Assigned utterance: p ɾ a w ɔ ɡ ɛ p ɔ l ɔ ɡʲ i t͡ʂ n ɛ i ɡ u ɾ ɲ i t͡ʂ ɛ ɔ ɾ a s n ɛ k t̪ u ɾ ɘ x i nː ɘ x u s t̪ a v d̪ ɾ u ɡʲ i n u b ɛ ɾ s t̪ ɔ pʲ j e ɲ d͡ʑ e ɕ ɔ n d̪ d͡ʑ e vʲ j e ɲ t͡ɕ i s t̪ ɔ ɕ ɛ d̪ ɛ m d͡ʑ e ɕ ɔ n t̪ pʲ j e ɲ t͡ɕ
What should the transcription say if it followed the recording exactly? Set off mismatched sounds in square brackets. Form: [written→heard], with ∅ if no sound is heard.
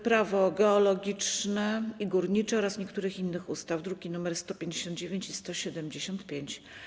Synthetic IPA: p ɾ a [w→v] ɔ ɡ ɛ [p→∅] ɔ l ɔ ɡʲ i t͡ʂ n ɛ i ɡ u ɾ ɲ i t͡ʂ ɛ ɔ ɾ a s [n→ɲ] ɛ k t̪ u ɾ ɘ x i nː ɘ x u s t̪ a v d̪ ɾ u ɡʲ i n u [b→m] ɛ ɾ s t̪ ɔ pʲ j e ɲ d͡ʑ e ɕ ɔ n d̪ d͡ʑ e vʲ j e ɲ t͡ɕ i s t̪ ɔ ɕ ɛ d̪ ɛ m d͡ʑ e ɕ ɔ n t̪ pʲ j e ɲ t͡ɕ